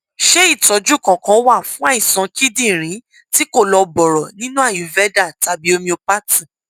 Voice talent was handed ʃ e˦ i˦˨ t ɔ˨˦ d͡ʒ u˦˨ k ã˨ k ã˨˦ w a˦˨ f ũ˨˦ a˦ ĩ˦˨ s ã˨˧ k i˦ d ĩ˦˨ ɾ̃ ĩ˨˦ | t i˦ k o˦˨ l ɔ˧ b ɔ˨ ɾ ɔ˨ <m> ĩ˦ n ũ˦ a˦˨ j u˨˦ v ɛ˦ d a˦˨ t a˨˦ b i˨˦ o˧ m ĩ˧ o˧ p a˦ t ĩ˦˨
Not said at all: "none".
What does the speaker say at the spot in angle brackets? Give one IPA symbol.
n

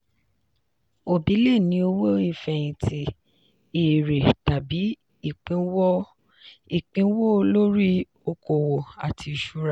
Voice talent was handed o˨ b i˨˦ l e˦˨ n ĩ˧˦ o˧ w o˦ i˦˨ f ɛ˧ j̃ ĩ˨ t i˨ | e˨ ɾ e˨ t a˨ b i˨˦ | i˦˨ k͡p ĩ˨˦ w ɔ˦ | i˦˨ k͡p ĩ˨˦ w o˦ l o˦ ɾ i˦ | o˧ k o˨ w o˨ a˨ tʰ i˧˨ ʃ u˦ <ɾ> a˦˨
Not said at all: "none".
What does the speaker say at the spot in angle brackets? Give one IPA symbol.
ɾ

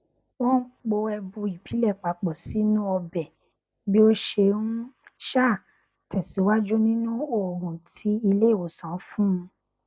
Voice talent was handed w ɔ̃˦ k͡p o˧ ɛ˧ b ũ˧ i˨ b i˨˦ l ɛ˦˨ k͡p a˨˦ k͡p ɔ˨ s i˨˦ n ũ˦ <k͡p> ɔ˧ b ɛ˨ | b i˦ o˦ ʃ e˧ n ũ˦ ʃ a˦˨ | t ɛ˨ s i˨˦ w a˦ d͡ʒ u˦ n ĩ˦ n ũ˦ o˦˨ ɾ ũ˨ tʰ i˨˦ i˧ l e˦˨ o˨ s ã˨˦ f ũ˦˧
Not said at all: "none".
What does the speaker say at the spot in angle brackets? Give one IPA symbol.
none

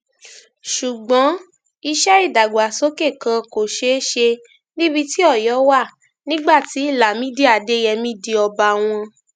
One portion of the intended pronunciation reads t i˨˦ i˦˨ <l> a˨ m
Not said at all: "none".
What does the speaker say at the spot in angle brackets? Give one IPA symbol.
l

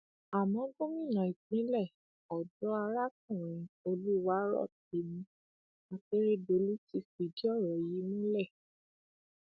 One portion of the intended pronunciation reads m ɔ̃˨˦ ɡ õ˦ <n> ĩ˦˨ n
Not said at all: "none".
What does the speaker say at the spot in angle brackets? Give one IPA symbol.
m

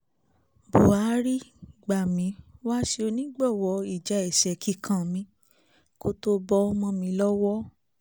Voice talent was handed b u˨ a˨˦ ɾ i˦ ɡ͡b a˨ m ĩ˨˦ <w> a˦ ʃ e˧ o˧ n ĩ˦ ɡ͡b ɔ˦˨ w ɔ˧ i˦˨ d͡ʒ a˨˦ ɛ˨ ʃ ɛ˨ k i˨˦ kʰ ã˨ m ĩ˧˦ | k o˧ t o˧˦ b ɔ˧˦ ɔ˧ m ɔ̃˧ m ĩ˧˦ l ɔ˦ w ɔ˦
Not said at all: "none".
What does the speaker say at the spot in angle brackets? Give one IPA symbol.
w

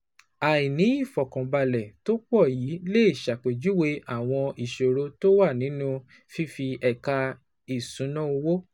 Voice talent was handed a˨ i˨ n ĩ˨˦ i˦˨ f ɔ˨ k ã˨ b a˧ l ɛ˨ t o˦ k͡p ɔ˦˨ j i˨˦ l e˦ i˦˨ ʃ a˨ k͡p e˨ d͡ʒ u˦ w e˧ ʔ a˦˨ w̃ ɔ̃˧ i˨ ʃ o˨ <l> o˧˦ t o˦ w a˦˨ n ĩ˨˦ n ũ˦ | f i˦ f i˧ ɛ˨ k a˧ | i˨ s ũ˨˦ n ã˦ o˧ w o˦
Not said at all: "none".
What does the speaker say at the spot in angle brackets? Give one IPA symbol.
ɾ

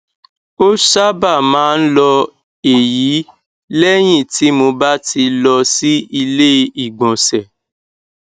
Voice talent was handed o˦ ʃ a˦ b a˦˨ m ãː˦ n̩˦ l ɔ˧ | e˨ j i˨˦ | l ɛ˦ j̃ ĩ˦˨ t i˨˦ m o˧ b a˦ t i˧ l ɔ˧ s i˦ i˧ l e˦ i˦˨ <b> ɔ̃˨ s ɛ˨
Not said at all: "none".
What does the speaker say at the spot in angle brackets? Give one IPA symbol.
ɡ͡b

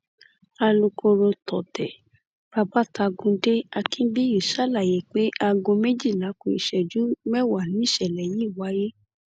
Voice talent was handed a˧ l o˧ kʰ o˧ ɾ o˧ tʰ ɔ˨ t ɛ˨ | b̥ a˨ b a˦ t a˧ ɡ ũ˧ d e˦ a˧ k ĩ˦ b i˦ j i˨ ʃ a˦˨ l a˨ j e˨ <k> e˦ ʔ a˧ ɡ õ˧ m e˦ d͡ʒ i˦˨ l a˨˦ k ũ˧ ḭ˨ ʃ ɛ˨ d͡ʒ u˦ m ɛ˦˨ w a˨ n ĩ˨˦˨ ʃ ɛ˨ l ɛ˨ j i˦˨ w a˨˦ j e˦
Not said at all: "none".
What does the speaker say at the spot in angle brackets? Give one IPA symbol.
k͡p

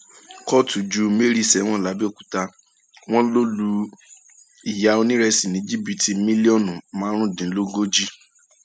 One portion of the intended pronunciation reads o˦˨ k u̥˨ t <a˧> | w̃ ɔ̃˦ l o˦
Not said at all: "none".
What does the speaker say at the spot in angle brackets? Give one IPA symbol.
a˧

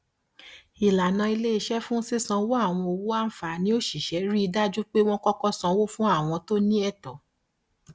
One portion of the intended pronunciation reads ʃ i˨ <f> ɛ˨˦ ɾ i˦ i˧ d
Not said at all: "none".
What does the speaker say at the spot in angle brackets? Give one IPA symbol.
ʃ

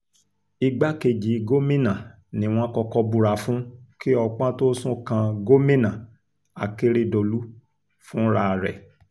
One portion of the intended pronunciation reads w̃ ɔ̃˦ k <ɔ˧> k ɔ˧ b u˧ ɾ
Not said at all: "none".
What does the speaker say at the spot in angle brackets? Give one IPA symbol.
ɔ˧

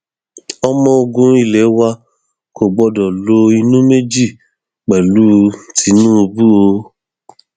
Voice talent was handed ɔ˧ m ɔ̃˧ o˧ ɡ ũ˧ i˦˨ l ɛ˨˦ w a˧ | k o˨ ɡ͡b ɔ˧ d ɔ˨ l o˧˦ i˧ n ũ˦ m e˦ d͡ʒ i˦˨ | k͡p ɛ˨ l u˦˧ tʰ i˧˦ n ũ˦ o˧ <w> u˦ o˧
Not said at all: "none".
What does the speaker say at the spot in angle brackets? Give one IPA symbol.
b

